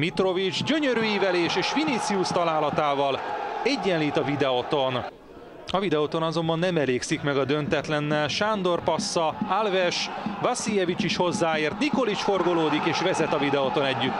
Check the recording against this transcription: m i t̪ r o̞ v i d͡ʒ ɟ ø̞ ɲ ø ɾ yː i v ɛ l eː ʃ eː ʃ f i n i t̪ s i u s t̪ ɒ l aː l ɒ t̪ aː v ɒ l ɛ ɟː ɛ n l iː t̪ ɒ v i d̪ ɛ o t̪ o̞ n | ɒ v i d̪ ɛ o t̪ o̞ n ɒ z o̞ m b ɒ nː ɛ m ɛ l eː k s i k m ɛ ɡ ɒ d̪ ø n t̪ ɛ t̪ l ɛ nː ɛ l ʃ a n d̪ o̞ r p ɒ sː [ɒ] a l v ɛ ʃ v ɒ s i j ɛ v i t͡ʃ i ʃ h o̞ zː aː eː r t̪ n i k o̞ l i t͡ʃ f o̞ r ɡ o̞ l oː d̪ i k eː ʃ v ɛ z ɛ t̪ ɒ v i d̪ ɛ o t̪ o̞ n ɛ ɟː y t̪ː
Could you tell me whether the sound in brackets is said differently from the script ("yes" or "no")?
no